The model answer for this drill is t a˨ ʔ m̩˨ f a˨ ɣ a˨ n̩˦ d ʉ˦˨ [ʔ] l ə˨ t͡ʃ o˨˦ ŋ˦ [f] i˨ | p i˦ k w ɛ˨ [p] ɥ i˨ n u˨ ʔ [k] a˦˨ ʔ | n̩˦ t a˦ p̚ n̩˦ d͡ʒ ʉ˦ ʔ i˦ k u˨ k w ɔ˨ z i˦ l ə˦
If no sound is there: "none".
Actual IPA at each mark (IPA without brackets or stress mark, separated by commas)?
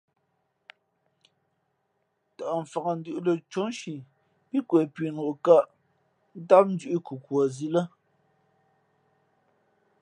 ʔ, ʃ, p, k